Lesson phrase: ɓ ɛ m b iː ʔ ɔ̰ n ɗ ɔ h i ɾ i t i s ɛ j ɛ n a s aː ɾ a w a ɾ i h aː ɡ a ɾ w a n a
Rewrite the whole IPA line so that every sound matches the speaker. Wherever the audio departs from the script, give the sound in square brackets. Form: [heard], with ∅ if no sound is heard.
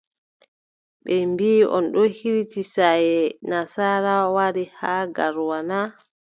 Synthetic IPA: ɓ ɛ m b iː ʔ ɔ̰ n ɗ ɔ h i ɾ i t i s [a] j ɛ n a s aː ɾ a w a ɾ i h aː ɡ a ɾ w a n a